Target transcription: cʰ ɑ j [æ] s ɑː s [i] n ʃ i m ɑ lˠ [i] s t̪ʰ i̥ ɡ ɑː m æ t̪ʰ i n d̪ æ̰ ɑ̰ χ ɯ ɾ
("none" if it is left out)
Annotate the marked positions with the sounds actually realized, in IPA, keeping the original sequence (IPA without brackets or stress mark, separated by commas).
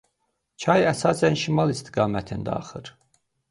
æ, æ, i